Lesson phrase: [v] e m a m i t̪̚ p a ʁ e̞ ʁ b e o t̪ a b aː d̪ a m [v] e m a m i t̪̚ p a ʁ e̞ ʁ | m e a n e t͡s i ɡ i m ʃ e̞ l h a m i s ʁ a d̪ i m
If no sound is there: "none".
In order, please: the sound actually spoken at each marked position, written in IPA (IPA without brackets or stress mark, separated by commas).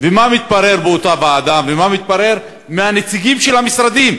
v, v